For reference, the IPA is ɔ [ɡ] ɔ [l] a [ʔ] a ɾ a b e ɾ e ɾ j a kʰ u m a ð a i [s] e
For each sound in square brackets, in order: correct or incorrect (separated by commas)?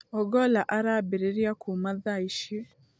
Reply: correct, correct, correct, incorrect